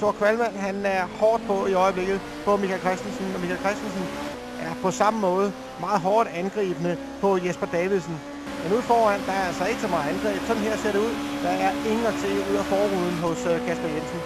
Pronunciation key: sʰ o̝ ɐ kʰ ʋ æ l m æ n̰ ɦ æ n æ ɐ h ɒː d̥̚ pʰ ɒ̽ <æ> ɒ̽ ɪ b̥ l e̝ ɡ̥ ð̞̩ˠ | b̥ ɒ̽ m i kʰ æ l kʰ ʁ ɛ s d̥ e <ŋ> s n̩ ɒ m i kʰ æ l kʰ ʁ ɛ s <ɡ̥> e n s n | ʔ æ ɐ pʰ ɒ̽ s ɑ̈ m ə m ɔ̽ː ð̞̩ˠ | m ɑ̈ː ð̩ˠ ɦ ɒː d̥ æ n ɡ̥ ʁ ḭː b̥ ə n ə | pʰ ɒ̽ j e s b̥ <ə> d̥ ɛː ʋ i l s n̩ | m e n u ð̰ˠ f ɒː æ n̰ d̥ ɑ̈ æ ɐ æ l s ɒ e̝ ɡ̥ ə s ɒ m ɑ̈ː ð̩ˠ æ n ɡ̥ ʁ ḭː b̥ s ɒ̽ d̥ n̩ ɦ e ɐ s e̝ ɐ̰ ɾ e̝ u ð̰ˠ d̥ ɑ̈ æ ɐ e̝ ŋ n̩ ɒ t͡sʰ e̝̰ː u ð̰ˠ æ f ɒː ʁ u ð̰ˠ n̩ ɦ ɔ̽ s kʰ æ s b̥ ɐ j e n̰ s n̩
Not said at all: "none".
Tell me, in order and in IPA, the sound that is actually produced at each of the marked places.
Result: i, n, d̥, ɐ

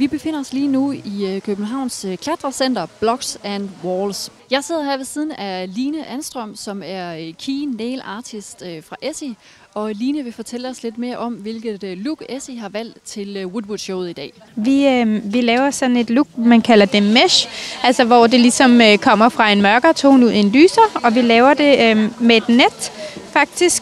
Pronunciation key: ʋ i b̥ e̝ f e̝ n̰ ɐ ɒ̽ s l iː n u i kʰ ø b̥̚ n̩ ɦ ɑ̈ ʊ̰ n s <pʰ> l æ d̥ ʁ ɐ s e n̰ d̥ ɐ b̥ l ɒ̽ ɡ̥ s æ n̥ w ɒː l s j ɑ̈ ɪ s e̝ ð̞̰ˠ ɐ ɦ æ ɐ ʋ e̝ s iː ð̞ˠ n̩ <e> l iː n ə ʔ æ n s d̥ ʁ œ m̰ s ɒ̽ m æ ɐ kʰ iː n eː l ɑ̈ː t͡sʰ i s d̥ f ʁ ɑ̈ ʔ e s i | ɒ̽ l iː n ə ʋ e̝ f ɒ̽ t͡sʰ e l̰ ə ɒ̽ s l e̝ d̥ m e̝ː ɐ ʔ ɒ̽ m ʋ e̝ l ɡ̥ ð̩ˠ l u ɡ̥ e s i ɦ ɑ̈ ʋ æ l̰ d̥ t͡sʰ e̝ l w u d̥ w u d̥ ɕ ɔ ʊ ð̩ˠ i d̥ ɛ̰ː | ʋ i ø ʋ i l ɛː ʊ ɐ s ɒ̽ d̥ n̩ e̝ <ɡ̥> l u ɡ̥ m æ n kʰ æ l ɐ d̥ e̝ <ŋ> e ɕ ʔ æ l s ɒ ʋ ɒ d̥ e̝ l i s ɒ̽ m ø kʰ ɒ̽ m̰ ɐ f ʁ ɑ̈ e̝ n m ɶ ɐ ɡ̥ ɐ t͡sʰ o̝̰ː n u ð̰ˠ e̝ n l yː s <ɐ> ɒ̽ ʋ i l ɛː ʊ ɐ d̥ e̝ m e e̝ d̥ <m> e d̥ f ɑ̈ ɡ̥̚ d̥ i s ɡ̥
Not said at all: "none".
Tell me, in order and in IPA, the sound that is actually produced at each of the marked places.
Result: kʰ, æ, d̥, m, ɐ, n

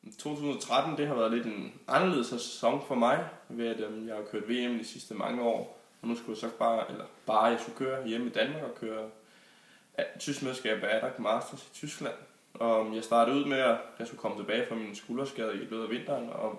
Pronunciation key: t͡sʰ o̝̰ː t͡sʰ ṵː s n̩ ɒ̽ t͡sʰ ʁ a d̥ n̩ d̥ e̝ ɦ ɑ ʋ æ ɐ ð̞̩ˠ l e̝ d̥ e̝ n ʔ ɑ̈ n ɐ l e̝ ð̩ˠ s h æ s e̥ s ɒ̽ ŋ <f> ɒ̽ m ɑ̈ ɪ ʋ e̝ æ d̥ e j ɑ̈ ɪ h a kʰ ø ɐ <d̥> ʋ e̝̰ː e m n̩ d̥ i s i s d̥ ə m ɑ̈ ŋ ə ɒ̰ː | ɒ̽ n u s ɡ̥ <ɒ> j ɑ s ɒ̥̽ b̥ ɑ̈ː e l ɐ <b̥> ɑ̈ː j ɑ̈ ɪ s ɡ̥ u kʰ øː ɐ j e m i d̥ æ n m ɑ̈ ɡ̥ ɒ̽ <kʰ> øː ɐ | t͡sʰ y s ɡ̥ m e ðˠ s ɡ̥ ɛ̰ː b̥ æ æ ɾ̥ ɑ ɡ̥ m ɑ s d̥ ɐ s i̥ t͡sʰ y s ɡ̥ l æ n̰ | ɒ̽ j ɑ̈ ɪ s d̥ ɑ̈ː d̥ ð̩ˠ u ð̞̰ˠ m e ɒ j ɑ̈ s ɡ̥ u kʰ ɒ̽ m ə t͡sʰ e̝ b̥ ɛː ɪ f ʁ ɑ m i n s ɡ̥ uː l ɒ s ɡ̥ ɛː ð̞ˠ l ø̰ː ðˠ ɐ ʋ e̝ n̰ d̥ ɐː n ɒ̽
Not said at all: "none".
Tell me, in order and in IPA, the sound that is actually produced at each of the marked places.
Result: f, d̥, u, b̥, kʰ

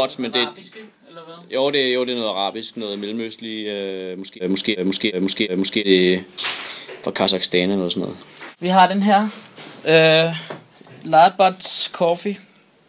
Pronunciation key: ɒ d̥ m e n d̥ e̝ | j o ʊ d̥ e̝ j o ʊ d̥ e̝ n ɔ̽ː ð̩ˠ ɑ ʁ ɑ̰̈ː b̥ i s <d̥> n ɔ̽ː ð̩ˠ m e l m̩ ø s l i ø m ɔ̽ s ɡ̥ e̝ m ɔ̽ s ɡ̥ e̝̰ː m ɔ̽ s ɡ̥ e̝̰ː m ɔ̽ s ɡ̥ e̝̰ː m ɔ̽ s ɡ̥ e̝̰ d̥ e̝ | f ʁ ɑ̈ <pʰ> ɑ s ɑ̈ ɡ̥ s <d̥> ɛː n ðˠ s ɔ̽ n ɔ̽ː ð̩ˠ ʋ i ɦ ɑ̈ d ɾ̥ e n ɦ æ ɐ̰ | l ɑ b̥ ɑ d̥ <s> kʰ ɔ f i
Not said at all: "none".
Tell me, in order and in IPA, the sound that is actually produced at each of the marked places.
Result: ɡ̥, kʰ, d̥, s

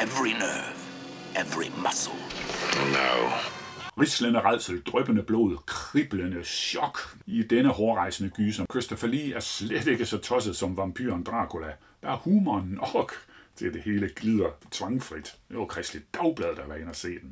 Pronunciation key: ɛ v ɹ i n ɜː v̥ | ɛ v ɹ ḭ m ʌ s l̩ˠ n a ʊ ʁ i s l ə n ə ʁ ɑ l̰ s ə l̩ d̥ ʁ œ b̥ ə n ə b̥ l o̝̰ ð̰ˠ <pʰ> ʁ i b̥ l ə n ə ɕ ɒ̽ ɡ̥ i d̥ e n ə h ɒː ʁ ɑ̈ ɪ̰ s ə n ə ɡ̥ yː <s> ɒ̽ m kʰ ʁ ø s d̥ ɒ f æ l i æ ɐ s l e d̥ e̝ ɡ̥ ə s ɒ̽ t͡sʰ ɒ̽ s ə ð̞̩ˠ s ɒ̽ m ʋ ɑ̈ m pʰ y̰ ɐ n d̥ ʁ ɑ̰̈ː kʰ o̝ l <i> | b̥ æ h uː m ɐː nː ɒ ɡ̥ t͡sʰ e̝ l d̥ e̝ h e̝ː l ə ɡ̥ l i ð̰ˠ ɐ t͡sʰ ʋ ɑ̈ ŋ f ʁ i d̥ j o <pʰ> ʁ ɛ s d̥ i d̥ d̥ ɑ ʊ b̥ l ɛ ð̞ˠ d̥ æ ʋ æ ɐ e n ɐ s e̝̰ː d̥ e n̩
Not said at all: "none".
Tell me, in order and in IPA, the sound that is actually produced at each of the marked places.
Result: kʰ, s, æ, kʰ

